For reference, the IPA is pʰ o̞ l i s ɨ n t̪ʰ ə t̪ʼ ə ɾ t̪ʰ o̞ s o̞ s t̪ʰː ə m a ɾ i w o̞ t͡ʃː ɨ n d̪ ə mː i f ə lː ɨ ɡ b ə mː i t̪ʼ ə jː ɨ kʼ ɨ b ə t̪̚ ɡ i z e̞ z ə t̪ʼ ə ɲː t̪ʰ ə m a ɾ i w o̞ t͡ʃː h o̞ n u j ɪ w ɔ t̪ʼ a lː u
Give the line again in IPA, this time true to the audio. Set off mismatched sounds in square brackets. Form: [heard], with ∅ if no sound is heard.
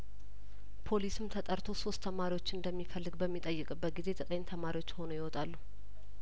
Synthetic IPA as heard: pʰ o̞ l i s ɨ [m] t̪ʰ ə t̪ʼ ə ɾ t̪ʰ o̞ s o̞ s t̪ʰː ə m a ɾ i w o̞ t͡ʃː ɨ n d̪ ə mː i f ə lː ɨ ɡ b ə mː i t̪ʼ ə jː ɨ kʼ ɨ b ə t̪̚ ɡ i z e̞ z ə t̪ʼ ə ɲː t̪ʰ ə m a ɾ i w o̞ t͡ʃː h o̞ n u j ɪ w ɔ t̪ʼ a lː u